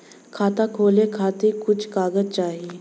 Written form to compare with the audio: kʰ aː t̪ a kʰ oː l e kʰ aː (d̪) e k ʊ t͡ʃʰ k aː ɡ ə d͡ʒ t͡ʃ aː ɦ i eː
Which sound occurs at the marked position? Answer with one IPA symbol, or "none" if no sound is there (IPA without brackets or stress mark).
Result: t̪